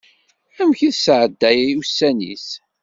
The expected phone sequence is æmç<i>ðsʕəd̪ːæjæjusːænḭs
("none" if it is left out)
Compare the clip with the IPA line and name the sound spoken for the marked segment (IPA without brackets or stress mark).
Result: i